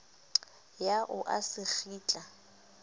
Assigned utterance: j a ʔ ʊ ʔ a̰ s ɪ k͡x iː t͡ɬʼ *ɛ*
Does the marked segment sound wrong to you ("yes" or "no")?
yes